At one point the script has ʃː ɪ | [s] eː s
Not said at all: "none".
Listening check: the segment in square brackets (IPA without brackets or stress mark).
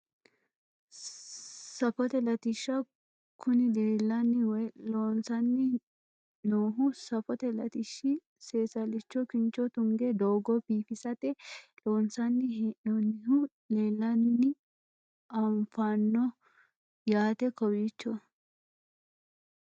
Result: s